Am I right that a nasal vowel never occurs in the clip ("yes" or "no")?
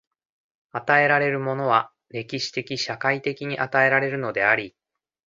yes